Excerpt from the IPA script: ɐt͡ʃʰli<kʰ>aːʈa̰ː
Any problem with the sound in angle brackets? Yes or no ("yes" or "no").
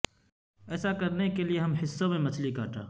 yes